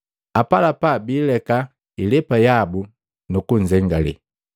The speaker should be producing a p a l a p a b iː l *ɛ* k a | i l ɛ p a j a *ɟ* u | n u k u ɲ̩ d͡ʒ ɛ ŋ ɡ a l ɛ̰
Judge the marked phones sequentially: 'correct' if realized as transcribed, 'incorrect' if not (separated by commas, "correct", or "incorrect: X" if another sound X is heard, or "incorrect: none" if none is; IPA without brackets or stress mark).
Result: correct, incorrect: b